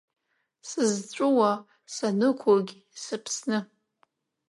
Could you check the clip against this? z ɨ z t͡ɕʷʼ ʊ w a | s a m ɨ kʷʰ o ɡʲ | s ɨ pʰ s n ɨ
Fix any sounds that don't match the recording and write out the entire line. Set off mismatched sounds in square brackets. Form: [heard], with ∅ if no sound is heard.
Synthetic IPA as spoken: [s] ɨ z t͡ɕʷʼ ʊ w a | s a [n] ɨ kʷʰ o ɡʲ | s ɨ pʰ s n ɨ